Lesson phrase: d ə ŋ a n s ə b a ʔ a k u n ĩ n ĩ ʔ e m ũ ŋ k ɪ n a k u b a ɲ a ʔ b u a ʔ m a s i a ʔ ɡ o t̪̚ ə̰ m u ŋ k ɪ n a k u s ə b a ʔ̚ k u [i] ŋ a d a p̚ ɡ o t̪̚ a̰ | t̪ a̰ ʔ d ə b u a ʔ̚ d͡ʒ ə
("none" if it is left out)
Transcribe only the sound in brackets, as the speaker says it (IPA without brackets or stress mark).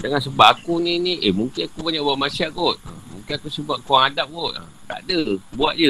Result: a